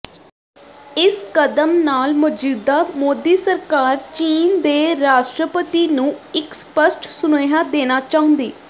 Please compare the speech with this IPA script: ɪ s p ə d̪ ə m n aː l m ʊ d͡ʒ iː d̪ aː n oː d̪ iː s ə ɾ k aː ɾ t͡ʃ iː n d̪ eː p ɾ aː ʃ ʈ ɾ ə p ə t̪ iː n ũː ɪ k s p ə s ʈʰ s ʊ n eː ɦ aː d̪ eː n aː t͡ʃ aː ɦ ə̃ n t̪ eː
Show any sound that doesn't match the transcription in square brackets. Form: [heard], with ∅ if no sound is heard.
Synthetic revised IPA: ɪ s [k] ə d̪ ə m n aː l m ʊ d͡ʒ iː d̪ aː [m] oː d̪ iː s ə ɾ k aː ɾ t͡ʃ iː n d̪ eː [∅] ɾ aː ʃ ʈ ɾ ə p ə t̪ iː n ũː ɪ k s p ə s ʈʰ s ʊ n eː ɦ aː d̪ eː n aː t͡ʃ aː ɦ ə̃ n [d̪] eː